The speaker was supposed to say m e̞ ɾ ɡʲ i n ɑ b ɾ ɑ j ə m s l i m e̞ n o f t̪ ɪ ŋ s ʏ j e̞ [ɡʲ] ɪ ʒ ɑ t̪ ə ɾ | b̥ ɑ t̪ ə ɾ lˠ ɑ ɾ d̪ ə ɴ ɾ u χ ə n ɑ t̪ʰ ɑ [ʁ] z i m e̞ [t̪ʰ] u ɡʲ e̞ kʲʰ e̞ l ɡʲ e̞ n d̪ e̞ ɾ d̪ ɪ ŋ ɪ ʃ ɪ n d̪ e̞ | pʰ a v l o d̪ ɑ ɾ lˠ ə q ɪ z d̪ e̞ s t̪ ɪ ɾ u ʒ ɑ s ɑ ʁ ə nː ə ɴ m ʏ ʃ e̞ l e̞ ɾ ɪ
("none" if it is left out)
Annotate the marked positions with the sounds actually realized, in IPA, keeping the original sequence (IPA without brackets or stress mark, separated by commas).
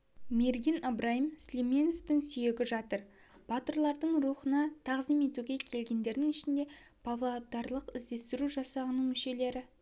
ɡʲ, ʁ, t̪